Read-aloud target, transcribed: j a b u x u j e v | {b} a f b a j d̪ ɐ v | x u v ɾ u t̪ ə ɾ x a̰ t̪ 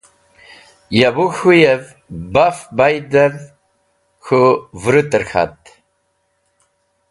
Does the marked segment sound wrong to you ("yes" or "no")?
no